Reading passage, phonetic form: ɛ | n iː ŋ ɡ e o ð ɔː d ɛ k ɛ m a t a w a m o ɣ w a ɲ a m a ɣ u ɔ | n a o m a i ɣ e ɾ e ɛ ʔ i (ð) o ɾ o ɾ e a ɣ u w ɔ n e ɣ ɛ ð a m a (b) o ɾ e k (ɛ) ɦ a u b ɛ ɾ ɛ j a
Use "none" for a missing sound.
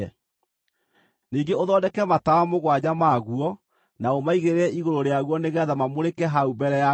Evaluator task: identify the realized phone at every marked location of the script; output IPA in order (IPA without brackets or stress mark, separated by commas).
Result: ɣ, m, ɛ